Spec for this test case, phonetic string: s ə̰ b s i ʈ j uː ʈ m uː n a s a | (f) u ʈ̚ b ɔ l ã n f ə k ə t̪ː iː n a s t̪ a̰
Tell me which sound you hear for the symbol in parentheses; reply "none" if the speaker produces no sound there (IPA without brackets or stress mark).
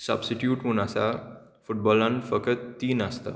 f